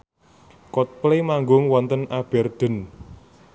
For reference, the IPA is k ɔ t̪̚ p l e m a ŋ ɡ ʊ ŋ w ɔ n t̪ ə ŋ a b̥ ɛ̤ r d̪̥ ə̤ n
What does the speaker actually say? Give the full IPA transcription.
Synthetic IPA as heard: k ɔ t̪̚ p l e m a ŋ ɡ ʊ ŋ w ɔ n t̪ ə n a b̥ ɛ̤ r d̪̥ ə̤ n